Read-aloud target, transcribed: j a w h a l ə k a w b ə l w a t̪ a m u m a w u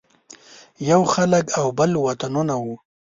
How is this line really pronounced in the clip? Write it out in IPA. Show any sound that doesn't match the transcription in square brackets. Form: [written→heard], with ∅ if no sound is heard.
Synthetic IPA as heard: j a w [h→x] a l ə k a w b ə l w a t̪ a [m→n] u [m→n] a w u